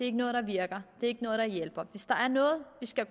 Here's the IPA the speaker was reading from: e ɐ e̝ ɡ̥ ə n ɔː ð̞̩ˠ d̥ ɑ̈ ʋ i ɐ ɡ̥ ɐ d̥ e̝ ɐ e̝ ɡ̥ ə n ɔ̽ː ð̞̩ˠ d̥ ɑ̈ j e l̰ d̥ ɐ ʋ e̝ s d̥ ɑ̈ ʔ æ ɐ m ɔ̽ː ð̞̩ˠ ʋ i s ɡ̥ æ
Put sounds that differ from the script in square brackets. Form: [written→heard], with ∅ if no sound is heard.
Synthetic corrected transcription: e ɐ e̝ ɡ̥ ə n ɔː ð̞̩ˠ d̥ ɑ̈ ʋ i ɐ ɡ̥ ɐ d̥ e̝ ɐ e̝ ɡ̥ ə n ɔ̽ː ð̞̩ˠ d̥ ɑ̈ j e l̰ [d̥→b̥] ɐ ʋ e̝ s d̥ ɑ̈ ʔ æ ɐ [m→n] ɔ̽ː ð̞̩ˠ ʋ i s ɡ̥ æ